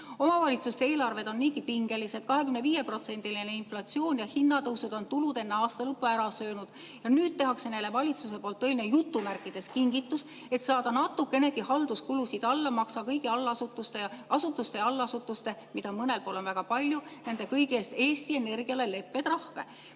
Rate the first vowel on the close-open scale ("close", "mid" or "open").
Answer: mid